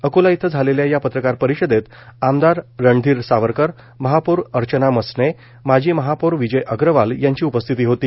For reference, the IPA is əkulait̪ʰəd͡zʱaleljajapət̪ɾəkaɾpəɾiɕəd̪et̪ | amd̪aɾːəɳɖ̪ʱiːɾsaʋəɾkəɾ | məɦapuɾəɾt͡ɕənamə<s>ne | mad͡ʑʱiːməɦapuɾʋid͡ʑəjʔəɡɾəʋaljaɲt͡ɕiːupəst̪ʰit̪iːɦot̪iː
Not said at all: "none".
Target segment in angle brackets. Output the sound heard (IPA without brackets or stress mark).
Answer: s